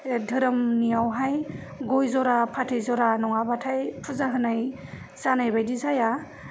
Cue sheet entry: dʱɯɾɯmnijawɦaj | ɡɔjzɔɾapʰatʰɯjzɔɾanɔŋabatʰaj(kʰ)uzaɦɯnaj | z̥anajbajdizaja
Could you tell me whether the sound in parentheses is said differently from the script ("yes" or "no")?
yes